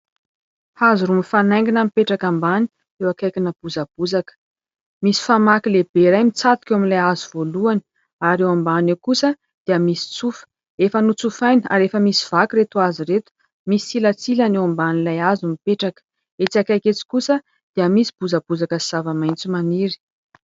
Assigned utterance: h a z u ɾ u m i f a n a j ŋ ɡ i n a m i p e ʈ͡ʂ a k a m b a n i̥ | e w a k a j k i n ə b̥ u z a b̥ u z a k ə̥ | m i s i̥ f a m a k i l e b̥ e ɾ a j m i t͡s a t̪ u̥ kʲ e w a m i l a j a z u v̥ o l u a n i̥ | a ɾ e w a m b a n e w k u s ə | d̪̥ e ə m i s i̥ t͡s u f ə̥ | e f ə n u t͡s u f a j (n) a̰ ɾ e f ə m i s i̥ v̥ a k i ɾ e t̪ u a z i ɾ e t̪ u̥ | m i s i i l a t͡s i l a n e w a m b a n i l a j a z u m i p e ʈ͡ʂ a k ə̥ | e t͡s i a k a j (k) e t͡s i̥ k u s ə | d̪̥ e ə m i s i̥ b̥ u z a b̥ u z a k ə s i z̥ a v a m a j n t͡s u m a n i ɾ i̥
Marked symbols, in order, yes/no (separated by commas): yes, yes